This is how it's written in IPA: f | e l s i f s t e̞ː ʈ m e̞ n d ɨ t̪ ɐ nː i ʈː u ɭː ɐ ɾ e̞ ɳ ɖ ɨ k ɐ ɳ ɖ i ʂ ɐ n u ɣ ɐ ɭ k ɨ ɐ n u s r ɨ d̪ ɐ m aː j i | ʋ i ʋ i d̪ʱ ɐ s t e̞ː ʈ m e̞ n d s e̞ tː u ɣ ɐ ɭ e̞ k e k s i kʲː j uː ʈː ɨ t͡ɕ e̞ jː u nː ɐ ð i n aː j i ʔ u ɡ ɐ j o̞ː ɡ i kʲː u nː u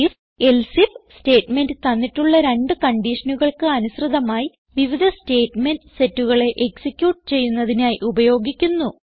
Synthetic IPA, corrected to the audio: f | e l s i f s t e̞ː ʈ m e̞ n d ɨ t̪ ɐ nː i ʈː u ɭː ɐ ɾ e̞ ɳ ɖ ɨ k ɐ ɳ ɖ i ʂ ɐ n u ɣ ɐ ɭ k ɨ ɐ n u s r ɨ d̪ ɐ m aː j i | ʋ i ʋ i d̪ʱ ɐ s t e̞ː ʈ m e̞ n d s e̞ tː u ɣ ɐ ɭ e̞ ʔ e k s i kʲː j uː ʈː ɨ t͡ɕ e̞ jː u nː ɐ ð i n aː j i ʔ u b ɐ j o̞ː ɡ i kʲː u nː u

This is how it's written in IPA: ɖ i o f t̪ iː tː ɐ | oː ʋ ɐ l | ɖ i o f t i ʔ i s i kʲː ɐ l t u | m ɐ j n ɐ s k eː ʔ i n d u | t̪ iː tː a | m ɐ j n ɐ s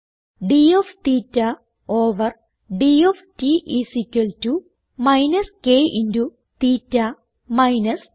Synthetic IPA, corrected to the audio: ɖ i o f t̪ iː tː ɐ | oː ʋ ɐ r | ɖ i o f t i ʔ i s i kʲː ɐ l t u | m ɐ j n ɐ s k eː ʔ i n d u | t̪ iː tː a | m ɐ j n ɐ s

